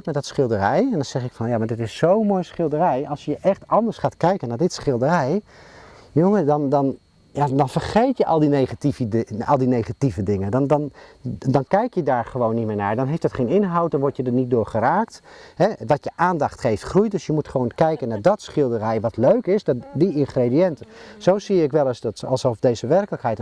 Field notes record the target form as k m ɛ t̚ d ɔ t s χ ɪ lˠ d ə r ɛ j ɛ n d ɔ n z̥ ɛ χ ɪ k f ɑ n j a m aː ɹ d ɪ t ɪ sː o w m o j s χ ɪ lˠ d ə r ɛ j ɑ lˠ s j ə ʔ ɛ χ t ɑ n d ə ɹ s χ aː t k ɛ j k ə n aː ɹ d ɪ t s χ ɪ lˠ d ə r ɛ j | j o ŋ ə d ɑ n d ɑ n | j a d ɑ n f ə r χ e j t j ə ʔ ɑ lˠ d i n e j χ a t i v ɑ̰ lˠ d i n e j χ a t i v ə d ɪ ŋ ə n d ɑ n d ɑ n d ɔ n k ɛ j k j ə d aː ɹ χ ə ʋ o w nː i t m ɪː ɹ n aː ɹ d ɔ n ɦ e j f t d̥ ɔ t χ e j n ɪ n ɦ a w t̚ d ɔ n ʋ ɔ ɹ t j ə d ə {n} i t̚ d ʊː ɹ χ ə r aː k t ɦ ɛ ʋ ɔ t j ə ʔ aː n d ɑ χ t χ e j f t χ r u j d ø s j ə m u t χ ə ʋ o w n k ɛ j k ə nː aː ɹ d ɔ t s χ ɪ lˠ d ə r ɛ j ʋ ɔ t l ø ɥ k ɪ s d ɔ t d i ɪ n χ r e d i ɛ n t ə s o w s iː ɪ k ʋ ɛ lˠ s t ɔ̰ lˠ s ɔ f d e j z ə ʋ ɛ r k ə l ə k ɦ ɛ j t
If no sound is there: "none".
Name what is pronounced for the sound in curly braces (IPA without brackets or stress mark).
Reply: n